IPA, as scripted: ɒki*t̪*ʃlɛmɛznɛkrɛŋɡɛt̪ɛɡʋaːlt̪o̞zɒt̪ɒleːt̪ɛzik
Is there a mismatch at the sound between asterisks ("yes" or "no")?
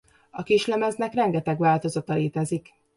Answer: yes